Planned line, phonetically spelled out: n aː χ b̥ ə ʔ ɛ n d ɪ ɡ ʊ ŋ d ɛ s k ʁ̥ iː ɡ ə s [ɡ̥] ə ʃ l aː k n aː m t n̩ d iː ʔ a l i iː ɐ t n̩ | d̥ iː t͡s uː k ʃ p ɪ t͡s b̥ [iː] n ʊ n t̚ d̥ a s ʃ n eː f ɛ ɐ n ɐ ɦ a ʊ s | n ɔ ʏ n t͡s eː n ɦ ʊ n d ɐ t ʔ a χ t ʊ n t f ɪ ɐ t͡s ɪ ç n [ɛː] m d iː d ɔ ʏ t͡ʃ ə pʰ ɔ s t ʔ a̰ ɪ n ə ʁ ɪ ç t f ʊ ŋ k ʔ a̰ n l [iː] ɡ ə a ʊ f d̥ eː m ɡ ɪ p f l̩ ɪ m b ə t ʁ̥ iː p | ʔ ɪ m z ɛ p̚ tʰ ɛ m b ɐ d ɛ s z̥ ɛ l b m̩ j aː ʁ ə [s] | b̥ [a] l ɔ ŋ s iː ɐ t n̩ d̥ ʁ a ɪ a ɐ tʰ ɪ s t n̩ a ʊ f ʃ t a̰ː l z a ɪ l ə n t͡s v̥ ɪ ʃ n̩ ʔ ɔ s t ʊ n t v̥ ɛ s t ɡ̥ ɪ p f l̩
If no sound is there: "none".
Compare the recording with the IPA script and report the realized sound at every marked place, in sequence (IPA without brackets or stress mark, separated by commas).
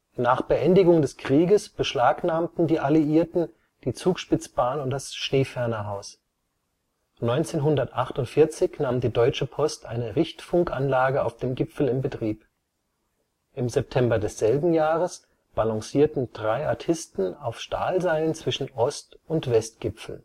b̥, aː, aː, aː, s, a